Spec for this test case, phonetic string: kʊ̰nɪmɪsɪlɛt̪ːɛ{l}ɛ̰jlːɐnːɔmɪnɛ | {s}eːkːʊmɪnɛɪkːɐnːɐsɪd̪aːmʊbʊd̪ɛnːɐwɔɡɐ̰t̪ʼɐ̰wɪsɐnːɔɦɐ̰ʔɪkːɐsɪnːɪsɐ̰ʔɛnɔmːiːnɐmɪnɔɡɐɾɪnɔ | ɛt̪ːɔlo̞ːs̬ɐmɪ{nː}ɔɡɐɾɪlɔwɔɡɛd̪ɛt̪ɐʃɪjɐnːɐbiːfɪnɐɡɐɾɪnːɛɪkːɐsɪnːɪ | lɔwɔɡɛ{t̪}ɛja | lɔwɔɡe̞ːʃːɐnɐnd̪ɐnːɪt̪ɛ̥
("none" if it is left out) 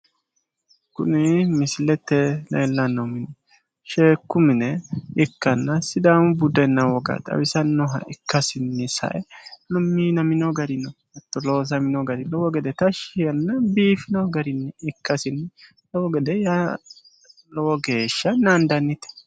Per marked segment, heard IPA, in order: l, ʃ, n, d̪

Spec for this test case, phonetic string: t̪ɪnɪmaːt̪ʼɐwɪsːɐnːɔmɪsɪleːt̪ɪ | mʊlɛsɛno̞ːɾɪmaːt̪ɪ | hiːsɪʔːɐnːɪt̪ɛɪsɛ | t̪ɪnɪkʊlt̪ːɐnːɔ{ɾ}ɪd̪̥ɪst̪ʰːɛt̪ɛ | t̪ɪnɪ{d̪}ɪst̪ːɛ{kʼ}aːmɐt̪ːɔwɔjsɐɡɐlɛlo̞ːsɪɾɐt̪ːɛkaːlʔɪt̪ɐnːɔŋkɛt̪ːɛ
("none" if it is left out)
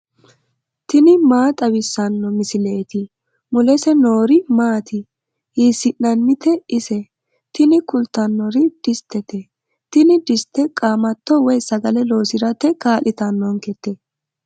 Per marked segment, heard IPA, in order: ɾ, d̪, kʼ

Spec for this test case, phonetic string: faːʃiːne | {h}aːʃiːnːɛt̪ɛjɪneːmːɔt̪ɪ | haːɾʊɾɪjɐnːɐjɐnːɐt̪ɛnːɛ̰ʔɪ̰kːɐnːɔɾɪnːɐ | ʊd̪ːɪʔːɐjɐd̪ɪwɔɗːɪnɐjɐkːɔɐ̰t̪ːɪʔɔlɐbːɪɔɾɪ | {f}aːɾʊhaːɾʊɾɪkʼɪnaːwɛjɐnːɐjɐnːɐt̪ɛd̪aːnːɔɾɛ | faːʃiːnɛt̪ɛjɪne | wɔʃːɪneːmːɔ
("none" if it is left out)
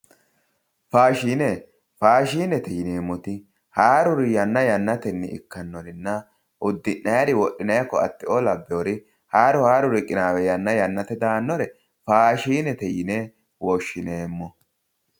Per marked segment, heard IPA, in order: f, h

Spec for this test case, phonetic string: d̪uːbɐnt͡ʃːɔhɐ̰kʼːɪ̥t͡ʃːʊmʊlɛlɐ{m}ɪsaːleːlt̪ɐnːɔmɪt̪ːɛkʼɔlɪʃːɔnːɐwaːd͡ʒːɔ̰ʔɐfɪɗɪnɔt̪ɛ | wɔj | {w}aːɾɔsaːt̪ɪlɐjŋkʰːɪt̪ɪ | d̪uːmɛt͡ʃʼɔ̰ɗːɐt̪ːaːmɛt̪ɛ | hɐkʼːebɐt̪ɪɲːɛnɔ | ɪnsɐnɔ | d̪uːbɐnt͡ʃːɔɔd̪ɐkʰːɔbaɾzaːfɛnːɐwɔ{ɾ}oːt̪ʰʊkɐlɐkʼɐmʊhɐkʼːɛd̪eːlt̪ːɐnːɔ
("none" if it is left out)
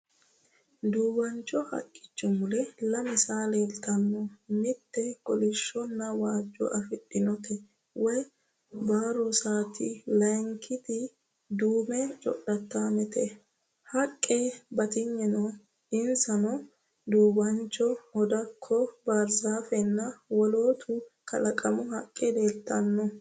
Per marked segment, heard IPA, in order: m, b, l

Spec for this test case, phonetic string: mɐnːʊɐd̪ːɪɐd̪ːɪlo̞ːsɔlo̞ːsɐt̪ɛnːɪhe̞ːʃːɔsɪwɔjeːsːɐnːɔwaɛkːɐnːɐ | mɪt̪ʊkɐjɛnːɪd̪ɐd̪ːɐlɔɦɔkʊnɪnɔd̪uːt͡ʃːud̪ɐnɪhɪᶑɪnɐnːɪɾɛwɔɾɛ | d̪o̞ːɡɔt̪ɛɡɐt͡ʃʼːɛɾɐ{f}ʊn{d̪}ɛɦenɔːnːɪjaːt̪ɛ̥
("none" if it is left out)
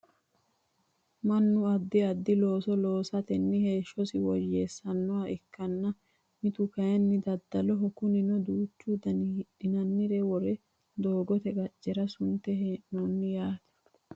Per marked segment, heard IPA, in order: s, t̪

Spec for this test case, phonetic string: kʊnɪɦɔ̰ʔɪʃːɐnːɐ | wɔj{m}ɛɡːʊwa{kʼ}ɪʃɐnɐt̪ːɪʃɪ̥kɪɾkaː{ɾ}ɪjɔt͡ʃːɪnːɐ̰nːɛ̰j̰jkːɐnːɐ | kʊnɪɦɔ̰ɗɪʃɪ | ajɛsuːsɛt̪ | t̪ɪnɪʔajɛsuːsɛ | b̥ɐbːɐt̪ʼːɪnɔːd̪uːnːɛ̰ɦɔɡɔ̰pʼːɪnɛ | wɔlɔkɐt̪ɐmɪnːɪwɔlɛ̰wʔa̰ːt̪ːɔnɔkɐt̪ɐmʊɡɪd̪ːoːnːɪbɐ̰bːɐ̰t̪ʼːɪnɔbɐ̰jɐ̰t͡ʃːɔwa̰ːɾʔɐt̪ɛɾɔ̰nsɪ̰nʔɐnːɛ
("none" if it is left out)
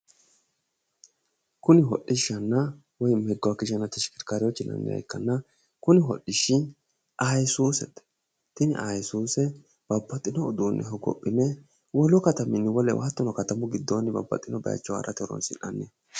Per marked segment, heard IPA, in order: m, k, ɾ

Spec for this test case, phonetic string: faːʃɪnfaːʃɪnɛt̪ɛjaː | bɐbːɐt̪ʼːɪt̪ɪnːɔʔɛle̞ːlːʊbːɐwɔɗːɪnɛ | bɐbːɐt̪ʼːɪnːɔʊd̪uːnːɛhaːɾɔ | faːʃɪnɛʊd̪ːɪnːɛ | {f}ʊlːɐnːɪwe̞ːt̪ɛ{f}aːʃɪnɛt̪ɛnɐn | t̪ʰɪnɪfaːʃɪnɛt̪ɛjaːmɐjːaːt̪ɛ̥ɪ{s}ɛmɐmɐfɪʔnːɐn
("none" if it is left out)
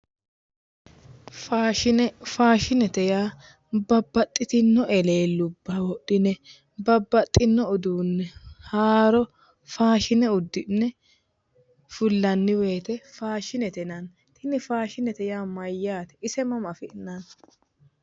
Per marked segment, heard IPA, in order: f, f, s

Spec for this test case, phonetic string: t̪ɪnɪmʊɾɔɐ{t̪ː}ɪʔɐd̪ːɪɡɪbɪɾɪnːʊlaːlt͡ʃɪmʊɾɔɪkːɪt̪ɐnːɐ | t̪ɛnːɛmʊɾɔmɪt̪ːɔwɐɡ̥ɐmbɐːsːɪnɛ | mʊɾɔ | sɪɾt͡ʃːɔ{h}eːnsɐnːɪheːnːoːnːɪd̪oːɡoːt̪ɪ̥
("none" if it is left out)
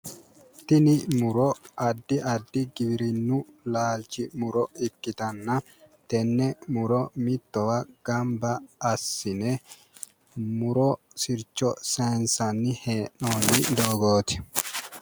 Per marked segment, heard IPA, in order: d̪ː, s

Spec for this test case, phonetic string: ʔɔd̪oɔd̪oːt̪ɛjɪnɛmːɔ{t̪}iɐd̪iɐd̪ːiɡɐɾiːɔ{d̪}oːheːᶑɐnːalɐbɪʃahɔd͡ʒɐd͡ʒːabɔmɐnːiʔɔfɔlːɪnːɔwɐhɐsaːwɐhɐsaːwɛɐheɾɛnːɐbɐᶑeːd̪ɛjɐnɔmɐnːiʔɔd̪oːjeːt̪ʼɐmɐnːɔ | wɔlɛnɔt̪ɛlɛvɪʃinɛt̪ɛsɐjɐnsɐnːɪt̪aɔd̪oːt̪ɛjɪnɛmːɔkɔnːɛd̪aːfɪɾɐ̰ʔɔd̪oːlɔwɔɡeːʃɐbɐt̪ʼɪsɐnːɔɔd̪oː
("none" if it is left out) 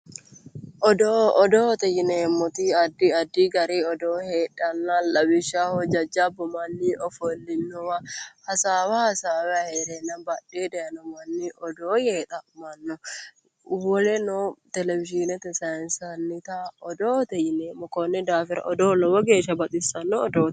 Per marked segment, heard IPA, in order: t̪, d̪

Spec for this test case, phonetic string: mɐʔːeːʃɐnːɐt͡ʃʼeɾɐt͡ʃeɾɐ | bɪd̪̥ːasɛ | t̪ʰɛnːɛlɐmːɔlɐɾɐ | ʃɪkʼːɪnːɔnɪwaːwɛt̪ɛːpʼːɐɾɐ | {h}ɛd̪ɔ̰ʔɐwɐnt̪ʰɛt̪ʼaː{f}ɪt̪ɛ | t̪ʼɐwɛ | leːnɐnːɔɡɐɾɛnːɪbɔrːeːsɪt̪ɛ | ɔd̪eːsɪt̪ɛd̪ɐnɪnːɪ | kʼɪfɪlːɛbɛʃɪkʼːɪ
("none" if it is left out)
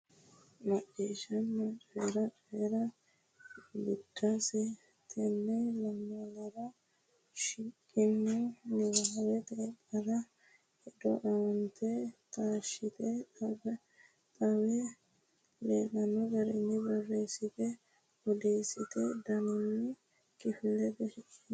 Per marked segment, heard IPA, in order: h, ʃ

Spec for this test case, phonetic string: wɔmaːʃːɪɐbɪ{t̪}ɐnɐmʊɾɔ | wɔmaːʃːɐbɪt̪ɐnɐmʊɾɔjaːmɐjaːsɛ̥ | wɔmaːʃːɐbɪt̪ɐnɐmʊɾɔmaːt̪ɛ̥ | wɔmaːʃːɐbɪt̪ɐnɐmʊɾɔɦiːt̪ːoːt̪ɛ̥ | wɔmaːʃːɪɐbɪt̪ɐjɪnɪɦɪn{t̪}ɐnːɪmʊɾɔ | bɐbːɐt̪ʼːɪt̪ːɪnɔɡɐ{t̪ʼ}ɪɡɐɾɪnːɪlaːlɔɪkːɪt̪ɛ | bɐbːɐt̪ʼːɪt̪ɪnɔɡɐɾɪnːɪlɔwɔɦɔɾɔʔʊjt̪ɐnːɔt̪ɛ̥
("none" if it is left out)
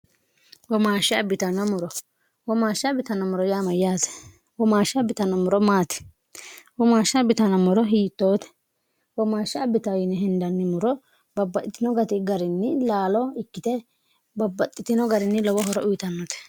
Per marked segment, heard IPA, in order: t̪, d̪, t̪

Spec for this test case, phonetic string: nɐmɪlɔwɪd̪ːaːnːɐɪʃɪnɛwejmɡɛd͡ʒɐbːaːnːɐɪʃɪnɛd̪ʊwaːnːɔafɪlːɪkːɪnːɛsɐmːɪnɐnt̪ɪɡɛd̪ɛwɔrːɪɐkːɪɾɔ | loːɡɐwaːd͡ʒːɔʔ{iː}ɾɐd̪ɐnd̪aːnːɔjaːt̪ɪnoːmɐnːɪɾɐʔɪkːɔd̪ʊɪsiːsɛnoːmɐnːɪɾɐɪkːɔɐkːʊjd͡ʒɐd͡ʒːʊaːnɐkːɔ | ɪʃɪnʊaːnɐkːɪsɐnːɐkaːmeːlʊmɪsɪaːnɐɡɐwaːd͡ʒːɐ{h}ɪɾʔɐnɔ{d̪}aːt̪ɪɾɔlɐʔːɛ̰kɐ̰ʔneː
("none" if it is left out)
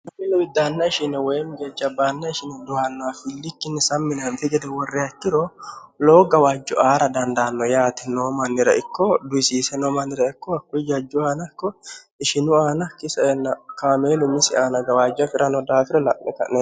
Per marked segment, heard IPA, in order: aː, f, d̪

